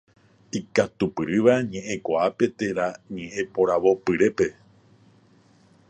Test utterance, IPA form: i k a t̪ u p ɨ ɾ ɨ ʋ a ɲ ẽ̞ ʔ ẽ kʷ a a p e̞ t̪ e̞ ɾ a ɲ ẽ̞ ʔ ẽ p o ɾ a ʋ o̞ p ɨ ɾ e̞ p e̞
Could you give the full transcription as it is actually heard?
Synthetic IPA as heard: i k a t̪ u p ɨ ɾ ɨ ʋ a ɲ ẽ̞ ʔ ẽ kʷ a a p e̞ t̪ e̞ ɾ a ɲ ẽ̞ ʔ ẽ p o ɾ a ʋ o̞ p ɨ ɾ e̞ p e̞